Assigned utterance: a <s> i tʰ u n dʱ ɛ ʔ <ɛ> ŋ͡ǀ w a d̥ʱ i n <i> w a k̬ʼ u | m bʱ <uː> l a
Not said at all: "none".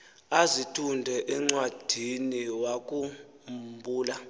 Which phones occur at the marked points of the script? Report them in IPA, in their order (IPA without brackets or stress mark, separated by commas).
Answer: z, ɛ, i, uː